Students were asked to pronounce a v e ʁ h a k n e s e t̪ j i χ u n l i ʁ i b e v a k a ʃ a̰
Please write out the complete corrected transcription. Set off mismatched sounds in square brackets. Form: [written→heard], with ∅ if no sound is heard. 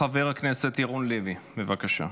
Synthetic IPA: a v e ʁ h a k n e s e t̪ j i [χ→ʁ] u n l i [ʁ→v] i b e v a k a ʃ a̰

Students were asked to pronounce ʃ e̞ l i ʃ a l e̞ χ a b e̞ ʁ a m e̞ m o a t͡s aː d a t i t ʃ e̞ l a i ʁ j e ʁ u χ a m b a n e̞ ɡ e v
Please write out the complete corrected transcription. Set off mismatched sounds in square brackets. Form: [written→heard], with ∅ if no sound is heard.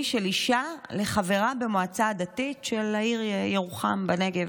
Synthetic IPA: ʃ e̞ l i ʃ a l e̞ χ a [b→v] e̞ ʁ a [m→b] e̞ m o a t͡s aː d a t i t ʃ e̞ l a i ʁ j e ʁ u χ a m b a n e̞ ɡ e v

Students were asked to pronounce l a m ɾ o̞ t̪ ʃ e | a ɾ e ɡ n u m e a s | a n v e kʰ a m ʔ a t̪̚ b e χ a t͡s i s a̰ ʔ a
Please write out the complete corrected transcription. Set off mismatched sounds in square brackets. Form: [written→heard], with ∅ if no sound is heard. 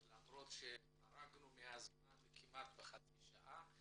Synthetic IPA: l a m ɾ o̞ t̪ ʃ e | a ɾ [e→a] ɡ n u m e a [s→z] | a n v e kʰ [a→i] m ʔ a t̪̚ b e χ a t͡s i [s→ʃ] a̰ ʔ a

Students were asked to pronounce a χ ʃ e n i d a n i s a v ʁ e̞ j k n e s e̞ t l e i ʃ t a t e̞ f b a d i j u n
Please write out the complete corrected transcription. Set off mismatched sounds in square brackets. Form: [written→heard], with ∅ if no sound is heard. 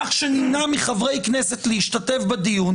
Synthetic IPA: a χ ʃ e n i [d→n] a [n→m] i [s→χ] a v ʁ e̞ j k n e s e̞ t l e i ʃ t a t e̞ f b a d i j u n

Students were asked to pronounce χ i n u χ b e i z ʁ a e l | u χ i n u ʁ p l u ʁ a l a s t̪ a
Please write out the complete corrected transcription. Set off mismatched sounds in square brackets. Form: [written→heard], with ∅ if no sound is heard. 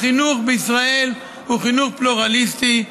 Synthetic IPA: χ i n u χ b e i [z→s] ʁ a e l | u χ i n u [ʁ→χ] p l u ʁ a l [a→i] s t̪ [a→i]

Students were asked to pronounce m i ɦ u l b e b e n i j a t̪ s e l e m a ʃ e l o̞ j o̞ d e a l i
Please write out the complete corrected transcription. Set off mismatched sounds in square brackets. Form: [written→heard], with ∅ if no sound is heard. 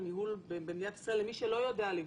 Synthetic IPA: m i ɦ u l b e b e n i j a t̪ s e l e m [a→i] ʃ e l o̞ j o̞ d e a l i

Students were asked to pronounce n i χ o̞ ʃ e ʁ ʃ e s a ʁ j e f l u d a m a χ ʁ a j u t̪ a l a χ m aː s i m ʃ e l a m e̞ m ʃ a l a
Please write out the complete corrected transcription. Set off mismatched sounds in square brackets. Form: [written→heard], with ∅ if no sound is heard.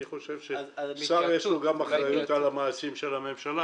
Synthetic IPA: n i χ o̞ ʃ e [ʁ→v] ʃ e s a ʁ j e [f→ʃ] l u [d→ɡ] a m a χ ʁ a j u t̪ a l a [χ→∅] m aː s i m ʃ e l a m e̞ m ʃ a l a

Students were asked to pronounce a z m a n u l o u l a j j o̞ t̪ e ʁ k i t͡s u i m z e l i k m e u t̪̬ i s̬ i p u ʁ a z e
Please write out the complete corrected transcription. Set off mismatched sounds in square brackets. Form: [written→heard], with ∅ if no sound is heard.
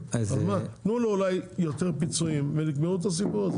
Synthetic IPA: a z m a n u l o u l a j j o̞ t̪ e ʁ [k→p] i t͡s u i m [z→v] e l i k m e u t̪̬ [i→a] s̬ i p u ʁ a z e

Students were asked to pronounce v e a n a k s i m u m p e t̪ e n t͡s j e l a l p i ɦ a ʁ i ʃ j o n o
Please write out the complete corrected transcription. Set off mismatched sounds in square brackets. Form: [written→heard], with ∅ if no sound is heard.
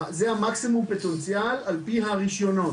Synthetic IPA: [v→z] e a [n→m] a k s i m u m p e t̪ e n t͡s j [e→a] l a l p i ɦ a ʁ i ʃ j o n o

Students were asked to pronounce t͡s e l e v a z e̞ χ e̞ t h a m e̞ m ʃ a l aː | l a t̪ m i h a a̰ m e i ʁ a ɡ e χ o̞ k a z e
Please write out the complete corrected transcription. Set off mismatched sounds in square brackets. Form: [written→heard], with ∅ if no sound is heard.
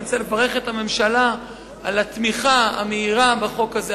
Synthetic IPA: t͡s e l e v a [z→ʁ] e̞ χ e̞ t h a m e̞ m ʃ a l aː | l a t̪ m i [h→χ] a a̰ m e i ʁ a [ɡ→b] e χ o̞ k a z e

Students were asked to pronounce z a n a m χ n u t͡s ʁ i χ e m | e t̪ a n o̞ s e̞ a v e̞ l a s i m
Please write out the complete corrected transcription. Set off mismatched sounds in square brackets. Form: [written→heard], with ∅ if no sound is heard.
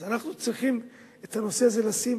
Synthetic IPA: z a n a [m→∅] χ n u t͡s ʁ i χ [e→i] m | e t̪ a n o̞ s e̞ a [v→z] e̞ l a s i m

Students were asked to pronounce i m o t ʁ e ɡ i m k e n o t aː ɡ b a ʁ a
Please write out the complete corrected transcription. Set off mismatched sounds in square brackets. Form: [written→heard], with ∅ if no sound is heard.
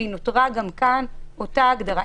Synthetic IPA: i [m→n] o t ʁ [e→a] ɡ [i→a] m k [e→a] n o t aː ɡ [b→d] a ʁ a

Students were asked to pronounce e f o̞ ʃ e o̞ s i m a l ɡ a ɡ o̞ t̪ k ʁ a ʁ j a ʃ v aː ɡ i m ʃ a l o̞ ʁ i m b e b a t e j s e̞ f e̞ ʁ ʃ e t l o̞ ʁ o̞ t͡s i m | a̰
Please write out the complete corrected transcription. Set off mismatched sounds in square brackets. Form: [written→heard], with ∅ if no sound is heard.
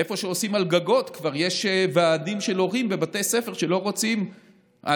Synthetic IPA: e f o̞ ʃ e o̞ s i m a l ɡ a ɡ o̞ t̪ k [ʁ→v] a ʁ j [a→e] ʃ v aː [ɡ→d] i m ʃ [a→e] l o̞ ʁ i m b e b a t e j s e̞ f e̞ ʁ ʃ e [t→∅] l o̞ ʁ o̞ t͡s i m | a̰

